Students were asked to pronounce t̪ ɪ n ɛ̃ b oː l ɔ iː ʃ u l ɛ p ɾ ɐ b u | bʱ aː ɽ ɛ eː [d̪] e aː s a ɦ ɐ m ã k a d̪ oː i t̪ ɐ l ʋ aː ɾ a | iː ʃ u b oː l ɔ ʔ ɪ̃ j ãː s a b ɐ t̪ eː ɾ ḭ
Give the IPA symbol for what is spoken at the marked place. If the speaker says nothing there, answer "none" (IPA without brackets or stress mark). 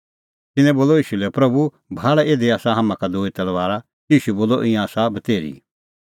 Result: d̪